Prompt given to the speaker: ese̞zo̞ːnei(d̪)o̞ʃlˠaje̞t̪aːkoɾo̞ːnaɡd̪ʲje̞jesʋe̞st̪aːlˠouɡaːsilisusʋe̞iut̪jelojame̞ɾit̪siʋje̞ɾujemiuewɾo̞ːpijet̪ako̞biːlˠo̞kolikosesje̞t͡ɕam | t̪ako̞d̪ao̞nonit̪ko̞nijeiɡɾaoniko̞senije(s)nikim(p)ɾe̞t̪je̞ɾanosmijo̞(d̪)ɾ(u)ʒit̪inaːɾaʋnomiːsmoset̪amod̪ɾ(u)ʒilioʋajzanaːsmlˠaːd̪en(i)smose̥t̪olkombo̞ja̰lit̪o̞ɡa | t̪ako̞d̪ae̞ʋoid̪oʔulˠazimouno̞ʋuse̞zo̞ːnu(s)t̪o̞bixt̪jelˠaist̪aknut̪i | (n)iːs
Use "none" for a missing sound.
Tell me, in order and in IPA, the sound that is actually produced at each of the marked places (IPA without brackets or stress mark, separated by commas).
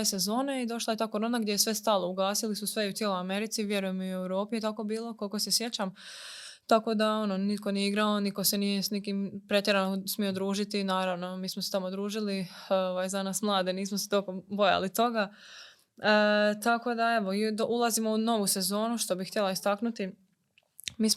d̪, s, p, d̪, uː, uː, iː, ʃ, m